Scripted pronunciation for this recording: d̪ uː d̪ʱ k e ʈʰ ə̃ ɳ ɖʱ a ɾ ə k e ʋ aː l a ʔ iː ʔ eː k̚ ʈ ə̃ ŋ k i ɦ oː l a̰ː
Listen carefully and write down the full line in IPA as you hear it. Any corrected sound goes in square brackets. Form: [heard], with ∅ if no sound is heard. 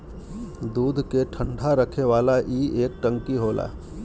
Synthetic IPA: d̪ uː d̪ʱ k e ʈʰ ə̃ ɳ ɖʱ a ɾ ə [kʰ] e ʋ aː l a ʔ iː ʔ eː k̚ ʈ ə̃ ŋ k i ɦ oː l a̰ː